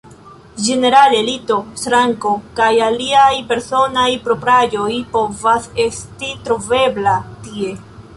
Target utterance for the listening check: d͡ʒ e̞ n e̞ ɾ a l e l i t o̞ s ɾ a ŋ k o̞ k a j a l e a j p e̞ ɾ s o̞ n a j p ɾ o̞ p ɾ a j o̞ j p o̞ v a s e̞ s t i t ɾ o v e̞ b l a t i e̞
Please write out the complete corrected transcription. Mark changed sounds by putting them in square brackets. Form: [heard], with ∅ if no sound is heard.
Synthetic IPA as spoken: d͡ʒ e̞ n e̞ ɾ a l e l i t o̞ s ɾ a ŋ k o̞ k a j a l [i] a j p e̞ ɾ s o̞ n a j p ɾ o̞ p ɾ a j o̞ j p o̞ v a s e̞ s t i t ɾ o v e̞ b l a t i e̞